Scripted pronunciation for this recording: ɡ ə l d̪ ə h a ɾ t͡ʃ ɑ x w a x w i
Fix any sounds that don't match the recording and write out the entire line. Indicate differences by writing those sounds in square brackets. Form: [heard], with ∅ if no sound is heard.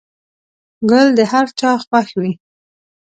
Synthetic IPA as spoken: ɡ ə l d̪ ə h a ɾ t͡ʃ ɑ x w a x w i